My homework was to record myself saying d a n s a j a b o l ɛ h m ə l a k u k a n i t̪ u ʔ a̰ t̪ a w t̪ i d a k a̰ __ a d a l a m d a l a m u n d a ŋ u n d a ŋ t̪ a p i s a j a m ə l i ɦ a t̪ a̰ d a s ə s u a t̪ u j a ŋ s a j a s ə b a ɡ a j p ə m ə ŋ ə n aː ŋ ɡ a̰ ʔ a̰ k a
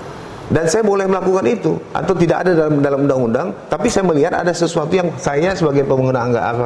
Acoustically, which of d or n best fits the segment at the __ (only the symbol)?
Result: d